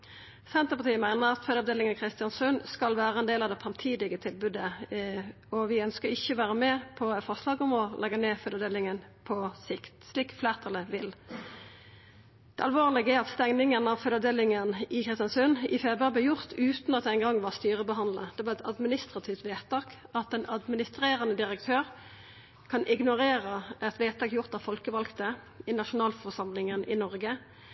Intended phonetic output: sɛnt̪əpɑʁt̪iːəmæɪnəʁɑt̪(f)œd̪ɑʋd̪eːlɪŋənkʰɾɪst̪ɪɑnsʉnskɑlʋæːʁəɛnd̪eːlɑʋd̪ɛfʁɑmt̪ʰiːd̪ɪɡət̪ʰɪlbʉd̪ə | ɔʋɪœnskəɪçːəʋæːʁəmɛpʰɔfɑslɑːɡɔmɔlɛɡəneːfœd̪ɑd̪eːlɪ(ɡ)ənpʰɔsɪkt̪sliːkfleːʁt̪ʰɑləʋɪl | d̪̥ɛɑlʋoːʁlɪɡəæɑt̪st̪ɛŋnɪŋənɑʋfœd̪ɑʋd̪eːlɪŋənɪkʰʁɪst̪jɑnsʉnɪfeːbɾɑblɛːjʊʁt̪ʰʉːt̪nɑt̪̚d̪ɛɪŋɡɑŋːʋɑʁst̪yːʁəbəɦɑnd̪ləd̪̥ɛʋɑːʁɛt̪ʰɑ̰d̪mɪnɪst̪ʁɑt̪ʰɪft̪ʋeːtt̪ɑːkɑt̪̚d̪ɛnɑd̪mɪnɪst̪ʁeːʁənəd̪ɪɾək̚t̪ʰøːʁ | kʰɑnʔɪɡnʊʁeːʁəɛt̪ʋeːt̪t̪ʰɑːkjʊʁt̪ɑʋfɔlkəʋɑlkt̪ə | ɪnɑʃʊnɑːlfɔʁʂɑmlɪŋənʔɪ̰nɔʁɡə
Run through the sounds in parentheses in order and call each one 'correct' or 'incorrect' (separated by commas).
correct, incorrect